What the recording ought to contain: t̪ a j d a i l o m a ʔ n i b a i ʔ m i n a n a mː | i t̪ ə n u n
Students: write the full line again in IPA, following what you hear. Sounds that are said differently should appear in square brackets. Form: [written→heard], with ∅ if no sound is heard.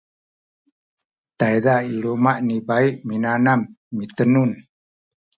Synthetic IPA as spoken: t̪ a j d a i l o m a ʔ n i b a i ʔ m i n a n a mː | i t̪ ə n u n

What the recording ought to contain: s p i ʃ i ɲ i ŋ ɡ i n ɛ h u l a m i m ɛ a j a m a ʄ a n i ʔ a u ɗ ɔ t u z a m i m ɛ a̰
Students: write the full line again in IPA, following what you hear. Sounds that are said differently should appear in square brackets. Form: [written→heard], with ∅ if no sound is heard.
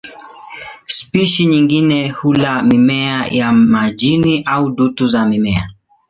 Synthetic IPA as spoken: s p i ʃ i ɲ i ŋ ɡ i n ɛ h u l a m i m ɛ a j a m a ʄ [a→i] n i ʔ a u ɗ [ɔ→u] t u z a m i m ɛ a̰

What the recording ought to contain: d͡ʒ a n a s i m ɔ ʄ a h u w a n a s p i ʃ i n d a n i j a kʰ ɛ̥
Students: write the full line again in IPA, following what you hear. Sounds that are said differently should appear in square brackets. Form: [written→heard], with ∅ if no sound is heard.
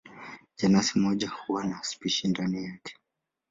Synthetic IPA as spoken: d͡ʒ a n a s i m ɔ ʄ a h u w a n a s p i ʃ i n d a n i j a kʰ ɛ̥

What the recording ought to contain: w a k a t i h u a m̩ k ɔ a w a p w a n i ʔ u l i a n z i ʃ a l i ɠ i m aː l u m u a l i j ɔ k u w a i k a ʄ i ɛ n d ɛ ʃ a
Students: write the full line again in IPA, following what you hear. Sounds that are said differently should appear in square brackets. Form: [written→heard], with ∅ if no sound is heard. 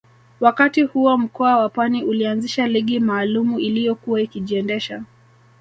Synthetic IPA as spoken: w a k a t i h u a m̩ k ɔ a w a p w a n i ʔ u l i a n z i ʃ a l i ɠ i m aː l u m u [a→i] l i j ɔ k u w a i k [a→i] ʄ i ɛ n d ɛ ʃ a

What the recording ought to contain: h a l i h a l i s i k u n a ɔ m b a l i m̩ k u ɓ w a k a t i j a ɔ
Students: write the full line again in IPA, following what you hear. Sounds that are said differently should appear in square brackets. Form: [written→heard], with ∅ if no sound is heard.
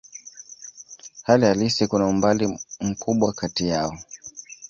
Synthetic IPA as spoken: h a l i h a l i s i k u n a [ɔ→u] m b a l i m̩ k u ɓ w a k a t i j a ɔ

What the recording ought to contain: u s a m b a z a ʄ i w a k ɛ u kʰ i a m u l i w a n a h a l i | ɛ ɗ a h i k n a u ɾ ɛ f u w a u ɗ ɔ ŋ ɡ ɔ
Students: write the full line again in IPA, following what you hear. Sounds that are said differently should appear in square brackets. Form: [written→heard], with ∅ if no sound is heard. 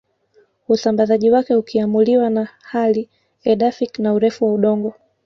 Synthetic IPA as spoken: u s a m b a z a ʄ i w a k ɛ u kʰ i a m u l i w a n a h a l i | ɛ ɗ a [h→f] i k n a u ɾ ɛ f u w a u ɗ ɔ ŋ ɡ ɔ

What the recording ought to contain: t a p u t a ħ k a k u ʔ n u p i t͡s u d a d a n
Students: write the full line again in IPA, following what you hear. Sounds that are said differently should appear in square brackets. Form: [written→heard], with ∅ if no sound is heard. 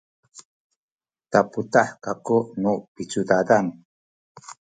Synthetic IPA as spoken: t a p u t a ħ k a k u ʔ n u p i t͡s u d a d a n

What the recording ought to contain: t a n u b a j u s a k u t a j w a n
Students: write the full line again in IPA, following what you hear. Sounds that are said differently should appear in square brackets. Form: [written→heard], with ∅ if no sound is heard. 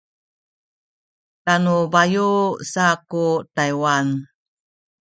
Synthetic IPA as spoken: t a n u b a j u s a k u t a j w a n

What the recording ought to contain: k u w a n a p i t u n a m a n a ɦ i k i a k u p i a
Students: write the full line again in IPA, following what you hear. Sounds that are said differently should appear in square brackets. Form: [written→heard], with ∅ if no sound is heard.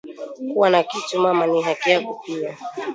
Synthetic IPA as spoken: k u w a n a [p→k] i t u [n→m] a m a n [a→i] ɦ [i→a] k i a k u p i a

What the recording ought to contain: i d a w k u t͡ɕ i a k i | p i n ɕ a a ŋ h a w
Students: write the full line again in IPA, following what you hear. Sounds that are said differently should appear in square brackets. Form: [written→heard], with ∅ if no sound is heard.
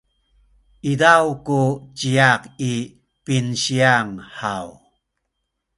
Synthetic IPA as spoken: i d a w k u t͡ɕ i a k i | p i n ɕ [a→i] a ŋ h a w

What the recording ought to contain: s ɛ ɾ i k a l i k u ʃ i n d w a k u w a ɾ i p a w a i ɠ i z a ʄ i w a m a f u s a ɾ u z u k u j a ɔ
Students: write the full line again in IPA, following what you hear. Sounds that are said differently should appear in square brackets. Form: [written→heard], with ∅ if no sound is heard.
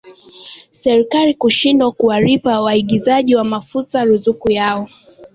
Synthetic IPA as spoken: s ɛ ɾ i k a l i k u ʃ i n d w a k u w a ɾ i p a w a i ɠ i z a ʄ i w a m a f u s a ɾ u z u k u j a ɔ

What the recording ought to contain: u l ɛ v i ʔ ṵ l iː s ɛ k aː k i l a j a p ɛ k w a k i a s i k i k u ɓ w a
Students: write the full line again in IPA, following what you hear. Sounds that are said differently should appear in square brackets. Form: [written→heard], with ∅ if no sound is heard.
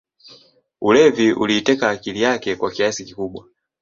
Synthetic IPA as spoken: u l ɛ v i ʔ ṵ l iː [s→t] ɛ k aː k i l [a→i] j a [p→k] ɛ k w a k i a s i k i k u ɓ w a

